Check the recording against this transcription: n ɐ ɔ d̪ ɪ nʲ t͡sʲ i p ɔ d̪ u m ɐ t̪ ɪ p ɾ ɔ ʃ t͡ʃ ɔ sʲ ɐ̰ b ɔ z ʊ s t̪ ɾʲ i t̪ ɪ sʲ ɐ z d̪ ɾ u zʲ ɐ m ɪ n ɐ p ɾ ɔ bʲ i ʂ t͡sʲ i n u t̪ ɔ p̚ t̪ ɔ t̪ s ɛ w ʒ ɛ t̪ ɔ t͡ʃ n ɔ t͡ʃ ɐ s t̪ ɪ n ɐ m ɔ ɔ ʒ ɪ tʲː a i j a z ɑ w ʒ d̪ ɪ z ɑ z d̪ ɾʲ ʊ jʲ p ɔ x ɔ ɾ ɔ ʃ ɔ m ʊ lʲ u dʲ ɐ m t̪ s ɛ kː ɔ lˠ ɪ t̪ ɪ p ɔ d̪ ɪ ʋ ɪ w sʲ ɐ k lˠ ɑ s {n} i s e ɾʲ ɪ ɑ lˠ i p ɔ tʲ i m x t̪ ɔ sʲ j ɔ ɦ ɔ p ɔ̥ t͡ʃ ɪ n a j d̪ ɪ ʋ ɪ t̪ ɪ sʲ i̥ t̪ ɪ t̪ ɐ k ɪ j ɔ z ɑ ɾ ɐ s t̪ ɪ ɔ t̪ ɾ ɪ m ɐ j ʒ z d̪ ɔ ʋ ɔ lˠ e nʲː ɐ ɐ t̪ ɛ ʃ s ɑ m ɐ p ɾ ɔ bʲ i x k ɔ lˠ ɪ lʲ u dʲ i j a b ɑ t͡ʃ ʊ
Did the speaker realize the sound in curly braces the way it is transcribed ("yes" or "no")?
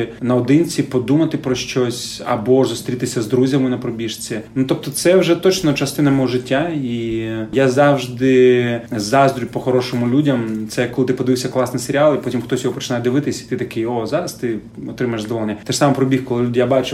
yes